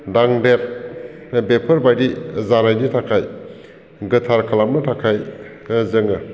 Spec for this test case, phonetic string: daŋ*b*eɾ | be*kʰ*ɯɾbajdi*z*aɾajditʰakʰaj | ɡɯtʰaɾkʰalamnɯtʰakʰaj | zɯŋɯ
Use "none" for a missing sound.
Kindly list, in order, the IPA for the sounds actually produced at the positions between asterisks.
d, pʰ, z

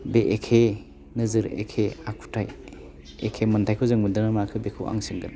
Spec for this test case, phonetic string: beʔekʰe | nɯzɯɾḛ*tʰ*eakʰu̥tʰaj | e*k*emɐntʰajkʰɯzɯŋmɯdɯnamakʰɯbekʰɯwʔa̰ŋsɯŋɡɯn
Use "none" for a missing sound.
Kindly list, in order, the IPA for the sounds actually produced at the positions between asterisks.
kʰ, kʰ

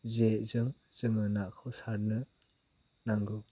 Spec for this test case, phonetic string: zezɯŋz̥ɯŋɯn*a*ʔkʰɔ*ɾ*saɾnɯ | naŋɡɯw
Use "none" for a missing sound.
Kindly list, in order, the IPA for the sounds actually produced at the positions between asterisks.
a, none

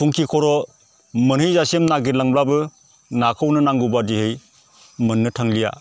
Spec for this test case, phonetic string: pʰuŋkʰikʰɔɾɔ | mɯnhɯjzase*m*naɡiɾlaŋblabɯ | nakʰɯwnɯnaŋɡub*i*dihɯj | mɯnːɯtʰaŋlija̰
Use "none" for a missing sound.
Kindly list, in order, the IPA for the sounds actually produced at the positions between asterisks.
m, a

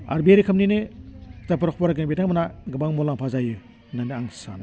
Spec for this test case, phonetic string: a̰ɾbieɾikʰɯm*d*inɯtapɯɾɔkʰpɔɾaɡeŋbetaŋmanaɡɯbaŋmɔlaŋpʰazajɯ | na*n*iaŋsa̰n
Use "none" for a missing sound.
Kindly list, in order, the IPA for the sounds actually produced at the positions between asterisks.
n, n

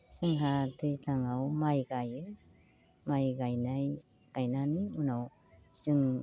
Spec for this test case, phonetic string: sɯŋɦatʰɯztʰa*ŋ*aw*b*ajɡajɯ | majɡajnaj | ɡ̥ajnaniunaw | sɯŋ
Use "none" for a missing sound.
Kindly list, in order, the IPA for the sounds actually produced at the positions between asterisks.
ŋ, m

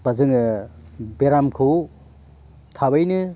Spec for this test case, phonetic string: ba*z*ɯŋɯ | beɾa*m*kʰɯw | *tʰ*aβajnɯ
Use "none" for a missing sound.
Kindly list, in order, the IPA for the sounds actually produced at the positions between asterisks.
z, m, tʰ

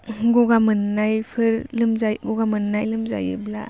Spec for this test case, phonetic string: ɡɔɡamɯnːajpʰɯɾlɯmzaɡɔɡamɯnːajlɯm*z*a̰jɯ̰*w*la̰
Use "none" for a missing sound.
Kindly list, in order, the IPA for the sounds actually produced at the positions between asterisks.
z, b

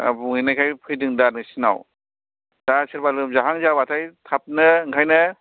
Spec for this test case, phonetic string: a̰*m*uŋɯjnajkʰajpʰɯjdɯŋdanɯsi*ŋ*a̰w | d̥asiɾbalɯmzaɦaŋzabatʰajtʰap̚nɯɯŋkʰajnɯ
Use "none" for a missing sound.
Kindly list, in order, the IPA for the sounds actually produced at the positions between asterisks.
b, n

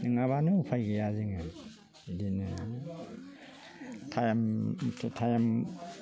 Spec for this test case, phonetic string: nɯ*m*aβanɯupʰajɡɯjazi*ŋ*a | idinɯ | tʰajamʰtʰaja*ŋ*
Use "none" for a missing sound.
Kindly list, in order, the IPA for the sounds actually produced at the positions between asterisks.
ŋ, ŋ, m

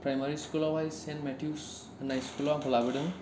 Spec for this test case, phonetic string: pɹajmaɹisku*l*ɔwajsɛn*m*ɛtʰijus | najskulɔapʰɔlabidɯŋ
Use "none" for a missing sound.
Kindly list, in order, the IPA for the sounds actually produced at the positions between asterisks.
l, m

